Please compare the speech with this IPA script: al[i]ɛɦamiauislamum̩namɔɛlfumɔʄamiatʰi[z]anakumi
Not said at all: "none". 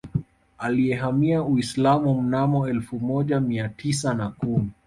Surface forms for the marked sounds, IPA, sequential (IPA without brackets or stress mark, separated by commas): i, s